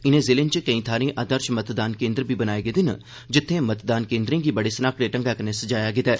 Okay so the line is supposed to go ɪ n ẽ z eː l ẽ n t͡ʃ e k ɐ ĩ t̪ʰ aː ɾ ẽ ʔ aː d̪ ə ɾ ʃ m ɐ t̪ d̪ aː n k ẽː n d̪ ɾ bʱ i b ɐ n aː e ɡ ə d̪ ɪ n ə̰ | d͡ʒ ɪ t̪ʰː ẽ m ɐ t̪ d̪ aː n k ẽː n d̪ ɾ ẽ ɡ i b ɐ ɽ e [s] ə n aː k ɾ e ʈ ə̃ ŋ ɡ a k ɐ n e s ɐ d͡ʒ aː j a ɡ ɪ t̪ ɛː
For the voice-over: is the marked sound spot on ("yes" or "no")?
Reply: yes